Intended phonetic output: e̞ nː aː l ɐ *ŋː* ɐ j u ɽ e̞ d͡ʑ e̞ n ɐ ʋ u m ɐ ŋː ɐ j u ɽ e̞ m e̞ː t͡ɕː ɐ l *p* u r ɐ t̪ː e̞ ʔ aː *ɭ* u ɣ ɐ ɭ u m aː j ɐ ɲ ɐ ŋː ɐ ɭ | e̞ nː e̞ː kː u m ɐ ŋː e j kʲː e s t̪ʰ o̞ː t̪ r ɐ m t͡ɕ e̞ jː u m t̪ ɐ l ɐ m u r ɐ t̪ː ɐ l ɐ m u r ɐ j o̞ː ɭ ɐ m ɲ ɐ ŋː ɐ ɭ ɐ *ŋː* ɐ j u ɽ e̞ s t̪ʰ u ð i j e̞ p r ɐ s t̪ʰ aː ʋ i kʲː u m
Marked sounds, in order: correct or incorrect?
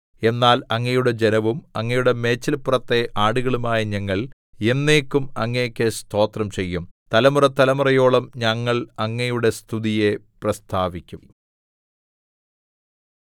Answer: correct, correct, incorrect, correct

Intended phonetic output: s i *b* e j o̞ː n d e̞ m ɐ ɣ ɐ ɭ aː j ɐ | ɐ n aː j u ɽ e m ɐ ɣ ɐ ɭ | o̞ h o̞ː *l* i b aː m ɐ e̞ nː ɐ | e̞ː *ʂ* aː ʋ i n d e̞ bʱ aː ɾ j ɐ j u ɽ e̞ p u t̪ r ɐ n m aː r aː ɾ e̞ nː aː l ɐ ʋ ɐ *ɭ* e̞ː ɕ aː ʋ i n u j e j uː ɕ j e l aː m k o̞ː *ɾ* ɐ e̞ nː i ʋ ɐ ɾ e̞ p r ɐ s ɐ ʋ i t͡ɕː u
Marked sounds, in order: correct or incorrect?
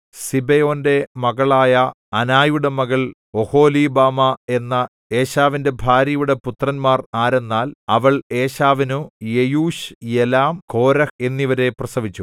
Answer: correct, correct, incorrect, correct, correct

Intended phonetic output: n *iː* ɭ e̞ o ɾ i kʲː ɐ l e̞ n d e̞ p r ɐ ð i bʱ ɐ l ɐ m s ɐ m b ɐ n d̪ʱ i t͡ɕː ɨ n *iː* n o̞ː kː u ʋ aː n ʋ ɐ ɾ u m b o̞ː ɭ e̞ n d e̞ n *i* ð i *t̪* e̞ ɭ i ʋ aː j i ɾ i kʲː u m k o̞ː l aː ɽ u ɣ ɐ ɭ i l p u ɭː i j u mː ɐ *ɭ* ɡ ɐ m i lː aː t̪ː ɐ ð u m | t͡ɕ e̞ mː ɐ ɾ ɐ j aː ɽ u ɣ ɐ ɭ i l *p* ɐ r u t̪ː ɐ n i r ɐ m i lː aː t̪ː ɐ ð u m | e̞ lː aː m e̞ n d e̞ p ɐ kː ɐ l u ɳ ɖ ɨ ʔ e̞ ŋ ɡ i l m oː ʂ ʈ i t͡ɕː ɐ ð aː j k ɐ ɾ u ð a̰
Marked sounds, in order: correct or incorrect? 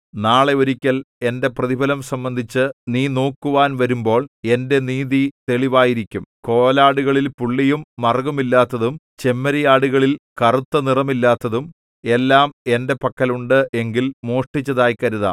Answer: incorrect, correct, incorrect, correct, incorrect, incorrect

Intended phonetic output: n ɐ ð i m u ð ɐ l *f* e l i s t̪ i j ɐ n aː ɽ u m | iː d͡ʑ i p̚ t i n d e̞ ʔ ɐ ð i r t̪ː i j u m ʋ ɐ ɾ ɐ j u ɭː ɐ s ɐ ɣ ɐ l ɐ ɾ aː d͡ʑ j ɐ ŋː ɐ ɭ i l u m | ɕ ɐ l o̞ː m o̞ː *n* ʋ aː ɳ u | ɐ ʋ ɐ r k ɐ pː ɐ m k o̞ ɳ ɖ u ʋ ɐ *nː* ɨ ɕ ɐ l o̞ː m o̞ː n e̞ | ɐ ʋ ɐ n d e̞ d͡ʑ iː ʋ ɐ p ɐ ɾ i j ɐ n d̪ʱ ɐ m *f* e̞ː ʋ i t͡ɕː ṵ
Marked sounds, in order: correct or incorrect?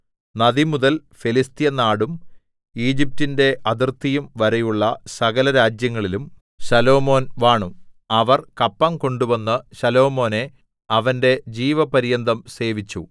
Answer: correct, correct, correct, incorrect

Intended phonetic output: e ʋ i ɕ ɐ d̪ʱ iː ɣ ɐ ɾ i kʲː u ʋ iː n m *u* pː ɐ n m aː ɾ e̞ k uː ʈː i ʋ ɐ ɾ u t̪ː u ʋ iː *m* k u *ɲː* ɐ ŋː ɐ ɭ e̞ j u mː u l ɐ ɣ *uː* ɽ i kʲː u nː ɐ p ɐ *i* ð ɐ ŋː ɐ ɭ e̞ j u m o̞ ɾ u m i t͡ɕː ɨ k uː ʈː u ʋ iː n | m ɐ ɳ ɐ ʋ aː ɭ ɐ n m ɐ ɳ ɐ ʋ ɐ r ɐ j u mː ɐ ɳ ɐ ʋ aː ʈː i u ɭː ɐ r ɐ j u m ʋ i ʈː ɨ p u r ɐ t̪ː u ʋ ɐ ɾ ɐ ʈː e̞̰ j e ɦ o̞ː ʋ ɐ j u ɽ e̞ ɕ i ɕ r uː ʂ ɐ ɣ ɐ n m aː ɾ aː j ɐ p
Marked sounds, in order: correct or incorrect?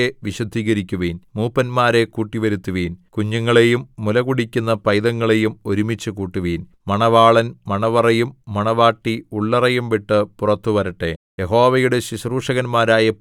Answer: incorrect, incorrect, correct, incorrect, incorrect

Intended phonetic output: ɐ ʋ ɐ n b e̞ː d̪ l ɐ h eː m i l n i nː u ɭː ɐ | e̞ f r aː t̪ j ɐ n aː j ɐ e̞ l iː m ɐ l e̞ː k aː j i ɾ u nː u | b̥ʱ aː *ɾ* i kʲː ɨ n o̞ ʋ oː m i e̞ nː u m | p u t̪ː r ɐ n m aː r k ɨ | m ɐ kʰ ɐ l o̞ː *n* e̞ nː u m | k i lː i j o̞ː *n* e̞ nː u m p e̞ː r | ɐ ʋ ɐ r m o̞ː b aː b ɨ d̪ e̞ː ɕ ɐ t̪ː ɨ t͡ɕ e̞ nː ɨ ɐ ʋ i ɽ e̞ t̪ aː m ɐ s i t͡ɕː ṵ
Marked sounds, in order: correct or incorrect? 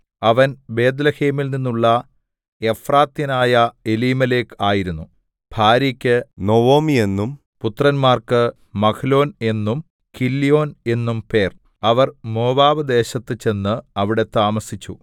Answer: correct, correct, correct

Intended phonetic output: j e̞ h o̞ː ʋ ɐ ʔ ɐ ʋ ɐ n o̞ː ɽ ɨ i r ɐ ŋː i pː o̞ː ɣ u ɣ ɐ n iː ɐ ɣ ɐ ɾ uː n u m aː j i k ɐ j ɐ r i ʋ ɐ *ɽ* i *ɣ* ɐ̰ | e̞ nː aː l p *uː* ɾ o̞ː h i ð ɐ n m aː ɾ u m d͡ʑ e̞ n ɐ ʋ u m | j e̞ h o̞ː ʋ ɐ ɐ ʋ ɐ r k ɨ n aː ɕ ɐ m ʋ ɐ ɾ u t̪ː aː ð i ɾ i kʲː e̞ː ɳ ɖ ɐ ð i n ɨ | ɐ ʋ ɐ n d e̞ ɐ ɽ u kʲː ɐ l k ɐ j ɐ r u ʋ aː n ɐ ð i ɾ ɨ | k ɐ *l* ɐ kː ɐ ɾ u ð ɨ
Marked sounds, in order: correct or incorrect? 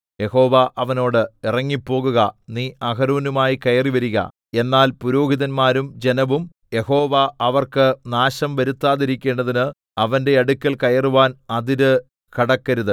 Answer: incorrect, correct, incorrect, incorrect

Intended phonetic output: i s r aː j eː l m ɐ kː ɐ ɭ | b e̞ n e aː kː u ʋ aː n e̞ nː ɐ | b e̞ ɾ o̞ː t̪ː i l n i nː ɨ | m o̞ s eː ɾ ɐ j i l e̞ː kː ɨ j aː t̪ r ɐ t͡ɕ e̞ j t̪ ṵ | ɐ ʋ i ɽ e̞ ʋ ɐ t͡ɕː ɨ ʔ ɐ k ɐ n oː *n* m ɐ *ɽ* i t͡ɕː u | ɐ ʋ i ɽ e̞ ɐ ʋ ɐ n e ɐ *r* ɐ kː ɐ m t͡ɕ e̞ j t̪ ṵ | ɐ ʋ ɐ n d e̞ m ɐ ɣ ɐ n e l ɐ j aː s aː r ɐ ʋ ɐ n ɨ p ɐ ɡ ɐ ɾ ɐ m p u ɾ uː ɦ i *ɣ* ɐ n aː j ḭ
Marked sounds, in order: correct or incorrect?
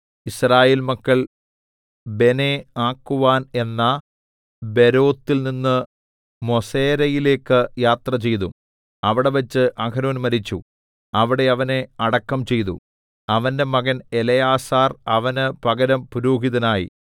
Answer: correct, incorrect, incorrect, incorrect

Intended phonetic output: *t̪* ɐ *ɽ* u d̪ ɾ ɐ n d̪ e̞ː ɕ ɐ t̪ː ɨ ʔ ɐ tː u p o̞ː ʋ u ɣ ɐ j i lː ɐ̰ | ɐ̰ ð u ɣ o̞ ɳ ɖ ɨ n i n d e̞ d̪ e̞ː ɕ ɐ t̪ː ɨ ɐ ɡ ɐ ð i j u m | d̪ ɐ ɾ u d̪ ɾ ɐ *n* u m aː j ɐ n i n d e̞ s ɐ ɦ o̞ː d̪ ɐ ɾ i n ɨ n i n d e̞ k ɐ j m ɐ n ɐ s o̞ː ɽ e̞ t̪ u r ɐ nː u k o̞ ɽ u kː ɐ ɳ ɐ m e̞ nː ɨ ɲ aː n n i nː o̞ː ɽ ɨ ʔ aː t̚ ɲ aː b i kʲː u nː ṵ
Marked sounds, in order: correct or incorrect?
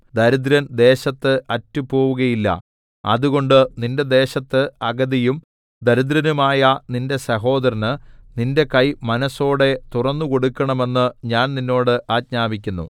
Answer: incorrect, incorrect, correct

